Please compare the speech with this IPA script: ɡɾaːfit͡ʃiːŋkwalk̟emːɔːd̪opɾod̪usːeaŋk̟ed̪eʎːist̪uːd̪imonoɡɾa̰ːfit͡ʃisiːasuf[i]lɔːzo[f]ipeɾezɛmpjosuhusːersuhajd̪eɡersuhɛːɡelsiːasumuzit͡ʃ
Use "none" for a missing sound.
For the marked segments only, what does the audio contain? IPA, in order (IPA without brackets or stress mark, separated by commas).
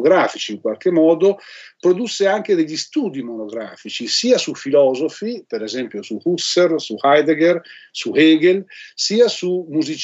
i, f